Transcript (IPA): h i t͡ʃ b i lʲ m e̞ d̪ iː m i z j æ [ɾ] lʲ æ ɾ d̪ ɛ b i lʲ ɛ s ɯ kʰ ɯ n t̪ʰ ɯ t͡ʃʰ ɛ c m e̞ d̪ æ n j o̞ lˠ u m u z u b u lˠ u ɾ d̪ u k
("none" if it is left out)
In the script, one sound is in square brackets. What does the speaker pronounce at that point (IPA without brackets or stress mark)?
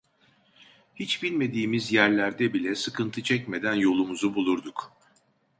ɾ